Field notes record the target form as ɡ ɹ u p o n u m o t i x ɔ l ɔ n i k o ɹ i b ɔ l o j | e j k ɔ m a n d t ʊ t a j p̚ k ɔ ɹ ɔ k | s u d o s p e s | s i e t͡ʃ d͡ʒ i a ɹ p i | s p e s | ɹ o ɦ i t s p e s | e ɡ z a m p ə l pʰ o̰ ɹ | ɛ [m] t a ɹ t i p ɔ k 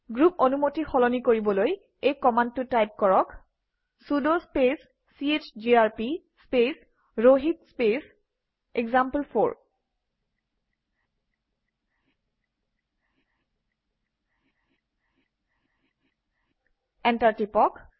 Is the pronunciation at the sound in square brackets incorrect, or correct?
incorrect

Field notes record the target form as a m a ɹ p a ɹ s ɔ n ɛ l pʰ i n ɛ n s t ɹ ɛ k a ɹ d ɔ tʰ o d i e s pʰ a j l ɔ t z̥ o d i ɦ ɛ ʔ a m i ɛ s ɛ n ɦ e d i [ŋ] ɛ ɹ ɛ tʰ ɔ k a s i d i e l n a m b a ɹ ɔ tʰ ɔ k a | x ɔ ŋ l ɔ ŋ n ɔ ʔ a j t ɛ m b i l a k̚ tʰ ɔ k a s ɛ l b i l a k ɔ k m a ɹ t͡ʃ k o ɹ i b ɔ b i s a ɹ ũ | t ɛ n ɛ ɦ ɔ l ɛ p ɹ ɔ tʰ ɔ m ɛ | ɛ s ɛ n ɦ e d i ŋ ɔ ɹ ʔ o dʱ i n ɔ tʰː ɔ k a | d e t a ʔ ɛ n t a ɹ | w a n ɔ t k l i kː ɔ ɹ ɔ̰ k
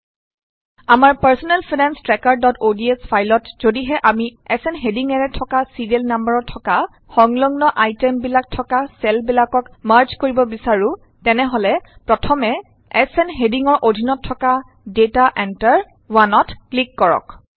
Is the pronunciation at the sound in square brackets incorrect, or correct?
correct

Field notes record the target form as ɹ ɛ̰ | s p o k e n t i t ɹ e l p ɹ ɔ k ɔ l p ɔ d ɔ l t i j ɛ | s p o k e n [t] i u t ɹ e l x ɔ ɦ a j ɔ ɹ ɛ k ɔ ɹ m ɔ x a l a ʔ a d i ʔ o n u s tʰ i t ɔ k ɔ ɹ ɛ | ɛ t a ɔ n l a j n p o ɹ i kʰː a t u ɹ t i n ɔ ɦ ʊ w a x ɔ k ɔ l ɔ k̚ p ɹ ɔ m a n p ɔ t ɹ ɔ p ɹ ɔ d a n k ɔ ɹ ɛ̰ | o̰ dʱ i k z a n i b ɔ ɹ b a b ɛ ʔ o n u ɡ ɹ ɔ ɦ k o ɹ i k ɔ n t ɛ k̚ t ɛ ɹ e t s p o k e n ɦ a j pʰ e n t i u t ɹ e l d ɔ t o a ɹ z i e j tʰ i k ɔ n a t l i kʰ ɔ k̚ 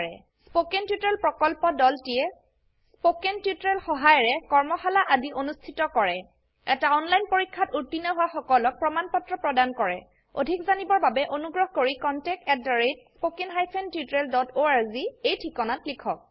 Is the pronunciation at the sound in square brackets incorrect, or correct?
correct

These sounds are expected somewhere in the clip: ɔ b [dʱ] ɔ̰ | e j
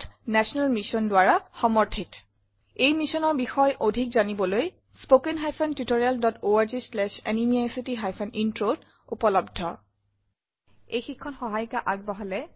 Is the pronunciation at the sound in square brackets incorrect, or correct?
correct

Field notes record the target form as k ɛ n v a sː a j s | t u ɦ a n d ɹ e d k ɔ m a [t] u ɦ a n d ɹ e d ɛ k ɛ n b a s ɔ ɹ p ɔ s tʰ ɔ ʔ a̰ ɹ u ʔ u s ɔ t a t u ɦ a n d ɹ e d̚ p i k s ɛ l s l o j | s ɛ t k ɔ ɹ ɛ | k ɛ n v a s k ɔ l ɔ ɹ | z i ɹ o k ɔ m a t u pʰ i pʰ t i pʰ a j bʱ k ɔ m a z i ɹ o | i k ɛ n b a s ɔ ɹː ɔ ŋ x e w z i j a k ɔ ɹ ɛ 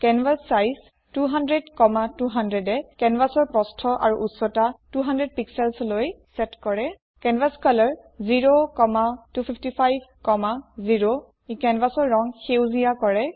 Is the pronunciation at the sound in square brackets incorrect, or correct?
correct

